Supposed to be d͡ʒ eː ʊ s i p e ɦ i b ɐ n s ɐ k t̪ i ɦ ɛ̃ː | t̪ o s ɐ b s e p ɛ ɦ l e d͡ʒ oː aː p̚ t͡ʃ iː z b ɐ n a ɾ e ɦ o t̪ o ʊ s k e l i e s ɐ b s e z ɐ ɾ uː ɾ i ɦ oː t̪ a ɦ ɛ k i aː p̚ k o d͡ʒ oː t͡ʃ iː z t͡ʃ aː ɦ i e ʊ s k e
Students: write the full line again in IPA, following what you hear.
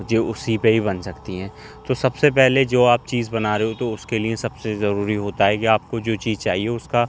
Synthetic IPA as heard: d͡ʒ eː ʊ s i p e ɦ i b ɐ n s ɐ k t̪ i ɦ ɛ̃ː | t̪ o s ɐ b s e p ɛ ɦ l e d͡ʒ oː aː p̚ t͡ʃ iː z b ɐ n a ɾ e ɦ o t̪ o ʊ s k e l i e s ɐ b s e z ɐ ɾ uː ɾ i ɦ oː t̪ a ɦ ɛ k i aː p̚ k o d͡ʒ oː t͡ʃ iː z t͡ʃ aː ɦ i e ʊ s k a